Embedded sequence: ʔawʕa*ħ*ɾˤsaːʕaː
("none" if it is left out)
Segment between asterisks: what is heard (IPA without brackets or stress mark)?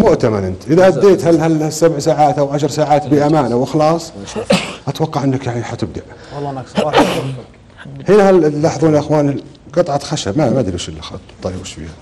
ʃ